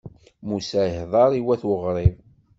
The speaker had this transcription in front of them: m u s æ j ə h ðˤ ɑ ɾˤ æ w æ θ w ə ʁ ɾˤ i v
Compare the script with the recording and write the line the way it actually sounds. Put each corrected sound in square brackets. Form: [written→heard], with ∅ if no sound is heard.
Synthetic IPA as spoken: m u s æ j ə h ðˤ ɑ ɾˤ [æ→i] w æ θ w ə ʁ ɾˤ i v